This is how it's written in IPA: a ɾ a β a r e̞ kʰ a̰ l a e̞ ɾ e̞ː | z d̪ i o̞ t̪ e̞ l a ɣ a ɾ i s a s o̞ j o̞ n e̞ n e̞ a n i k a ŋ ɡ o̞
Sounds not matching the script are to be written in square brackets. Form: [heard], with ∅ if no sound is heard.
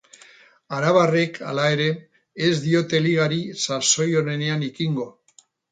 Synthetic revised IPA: a ɾ a β a r e̞ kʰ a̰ l a e̞ ɾ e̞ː | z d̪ i o̞ t̪ e̞ l [i] ɣ a ɾ i s a s o̞ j o̞ n e̞ n e̞ a n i k [i] ŋ ɡ o̞